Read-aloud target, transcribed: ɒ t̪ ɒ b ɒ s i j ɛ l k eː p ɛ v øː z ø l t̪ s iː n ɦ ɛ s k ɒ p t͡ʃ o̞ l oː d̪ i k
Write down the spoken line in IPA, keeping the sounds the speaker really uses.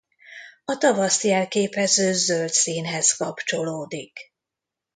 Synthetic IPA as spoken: ɒ t̪ ɒ v ɒ s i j ɛ l k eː p ɛ z øː z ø l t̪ s iː n ɦ ɛ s k ɒ p t͡ʃ o̞ l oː d̪ i k